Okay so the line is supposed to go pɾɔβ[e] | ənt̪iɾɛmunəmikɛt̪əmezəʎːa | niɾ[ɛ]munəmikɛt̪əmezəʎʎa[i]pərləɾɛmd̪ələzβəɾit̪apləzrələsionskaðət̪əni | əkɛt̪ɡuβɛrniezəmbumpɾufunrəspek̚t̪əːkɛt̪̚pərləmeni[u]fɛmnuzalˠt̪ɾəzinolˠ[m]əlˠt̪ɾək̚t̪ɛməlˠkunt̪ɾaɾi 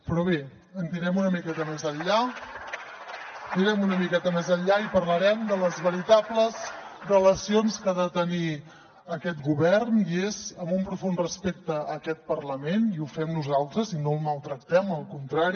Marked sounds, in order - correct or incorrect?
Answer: correct, correct, correct, correct, correct

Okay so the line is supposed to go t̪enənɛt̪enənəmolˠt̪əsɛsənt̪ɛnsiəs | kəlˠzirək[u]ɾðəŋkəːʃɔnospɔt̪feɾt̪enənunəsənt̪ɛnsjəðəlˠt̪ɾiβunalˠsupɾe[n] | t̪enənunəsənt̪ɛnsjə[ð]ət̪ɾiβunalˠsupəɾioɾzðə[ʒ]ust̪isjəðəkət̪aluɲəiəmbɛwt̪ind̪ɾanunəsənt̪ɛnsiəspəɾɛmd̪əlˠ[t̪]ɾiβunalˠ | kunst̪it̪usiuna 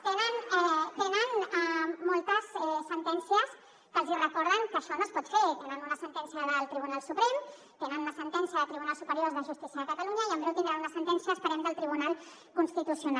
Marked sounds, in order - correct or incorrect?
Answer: incorrect: ɔ, incorrect: m, correct, correct, correct

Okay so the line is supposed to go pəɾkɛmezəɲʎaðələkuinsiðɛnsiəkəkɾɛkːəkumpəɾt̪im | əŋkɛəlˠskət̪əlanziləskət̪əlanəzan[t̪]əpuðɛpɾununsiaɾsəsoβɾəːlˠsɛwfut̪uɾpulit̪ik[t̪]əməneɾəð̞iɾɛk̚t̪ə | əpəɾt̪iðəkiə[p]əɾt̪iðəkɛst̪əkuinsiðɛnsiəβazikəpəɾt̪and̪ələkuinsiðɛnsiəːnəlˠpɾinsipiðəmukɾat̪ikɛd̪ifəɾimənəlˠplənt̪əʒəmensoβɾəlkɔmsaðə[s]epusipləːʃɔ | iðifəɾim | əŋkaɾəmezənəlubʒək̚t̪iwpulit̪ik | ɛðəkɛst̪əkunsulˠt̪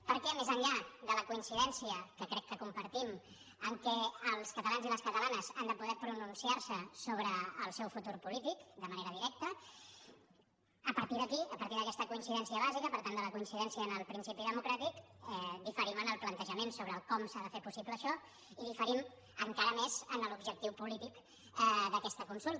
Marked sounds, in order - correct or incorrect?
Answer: incorrect: d̪, incorrect: d̪, correct, incorrect: f

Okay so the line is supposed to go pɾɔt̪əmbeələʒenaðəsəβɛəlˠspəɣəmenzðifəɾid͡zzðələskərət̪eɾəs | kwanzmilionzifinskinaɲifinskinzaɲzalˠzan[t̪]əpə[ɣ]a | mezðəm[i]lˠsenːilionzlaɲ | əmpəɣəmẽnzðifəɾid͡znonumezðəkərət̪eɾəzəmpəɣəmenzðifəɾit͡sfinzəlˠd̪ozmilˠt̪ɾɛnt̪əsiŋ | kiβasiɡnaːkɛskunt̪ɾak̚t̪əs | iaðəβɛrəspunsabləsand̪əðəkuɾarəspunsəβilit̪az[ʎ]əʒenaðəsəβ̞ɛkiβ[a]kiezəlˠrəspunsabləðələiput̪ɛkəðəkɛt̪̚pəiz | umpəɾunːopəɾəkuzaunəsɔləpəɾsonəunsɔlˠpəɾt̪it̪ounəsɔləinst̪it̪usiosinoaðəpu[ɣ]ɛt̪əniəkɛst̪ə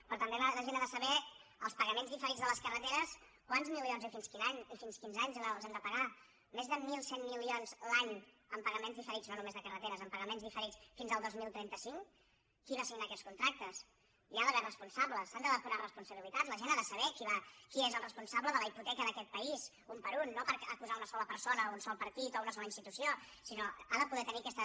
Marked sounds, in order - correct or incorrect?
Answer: incorrect: d̪, correct, correct, incorrect: l, correct, incorrect: ð

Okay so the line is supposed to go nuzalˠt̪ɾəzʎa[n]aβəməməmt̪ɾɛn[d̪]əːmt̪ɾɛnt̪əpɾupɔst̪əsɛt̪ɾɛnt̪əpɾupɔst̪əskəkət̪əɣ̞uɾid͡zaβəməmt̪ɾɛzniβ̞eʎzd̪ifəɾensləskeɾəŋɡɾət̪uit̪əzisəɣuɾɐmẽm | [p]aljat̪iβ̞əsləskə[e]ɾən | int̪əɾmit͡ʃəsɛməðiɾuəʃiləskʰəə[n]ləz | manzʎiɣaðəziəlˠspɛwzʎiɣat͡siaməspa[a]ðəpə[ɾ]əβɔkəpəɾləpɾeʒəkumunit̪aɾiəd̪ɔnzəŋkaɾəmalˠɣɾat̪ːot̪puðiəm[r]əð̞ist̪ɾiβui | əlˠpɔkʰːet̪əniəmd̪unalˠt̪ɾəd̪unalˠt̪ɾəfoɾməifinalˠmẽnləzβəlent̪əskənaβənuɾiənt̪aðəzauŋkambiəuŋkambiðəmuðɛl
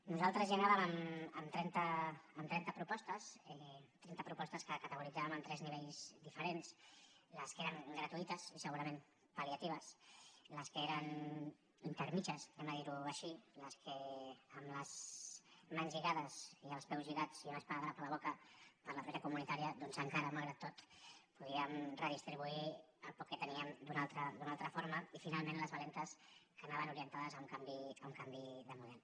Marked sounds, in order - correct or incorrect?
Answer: correct, incorrect: t̪, correct, correct, incorrect: m, correct, incorrect: l, correct

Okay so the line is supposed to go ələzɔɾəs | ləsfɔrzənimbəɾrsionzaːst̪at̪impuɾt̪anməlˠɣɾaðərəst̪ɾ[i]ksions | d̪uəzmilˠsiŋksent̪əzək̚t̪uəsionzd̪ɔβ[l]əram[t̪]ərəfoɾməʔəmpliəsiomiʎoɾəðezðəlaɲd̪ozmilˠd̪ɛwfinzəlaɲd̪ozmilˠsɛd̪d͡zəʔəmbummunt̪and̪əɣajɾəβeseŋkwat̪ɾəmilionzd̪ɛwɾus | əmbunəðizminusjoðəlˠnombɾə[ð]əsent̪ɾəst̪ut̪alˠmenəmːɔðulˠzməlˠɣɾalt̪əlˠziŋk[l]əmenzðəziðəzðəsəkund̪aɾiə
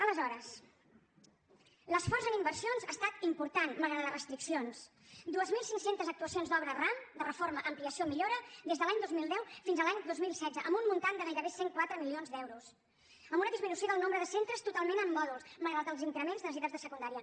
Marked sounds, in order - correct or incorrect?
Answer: correct, incorrect: ɾ, incorrect: d̪, correct, incorrect: ɾ

